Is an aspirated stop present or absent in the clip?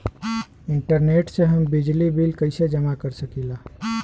absent